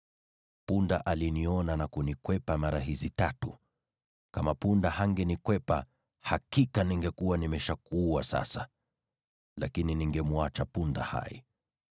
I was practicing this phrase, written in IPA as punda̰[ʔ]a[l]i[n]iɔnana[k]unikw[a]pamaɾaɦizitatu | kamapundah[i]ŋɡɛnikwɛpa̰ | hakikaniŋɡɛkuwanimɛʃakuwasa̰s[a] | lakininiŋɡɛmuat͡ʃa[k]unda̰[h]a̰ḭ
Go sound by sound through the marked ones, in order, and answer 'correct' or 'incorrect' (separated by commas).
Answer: correct, correct, correct, correct, incorrect, incorrect, correct, incorrect, correct